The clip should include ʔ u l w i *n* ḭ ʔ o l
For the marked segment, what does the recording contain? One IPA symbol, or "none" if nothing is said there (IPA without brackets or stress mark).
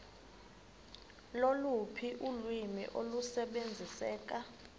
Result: m